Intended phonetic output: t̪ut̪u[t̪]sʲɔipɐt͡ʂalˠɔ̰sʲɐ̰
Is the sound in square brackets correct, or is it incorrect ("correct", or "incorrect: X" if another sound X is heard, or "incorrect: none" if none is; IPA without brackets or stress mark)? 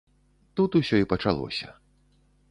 incorrect: none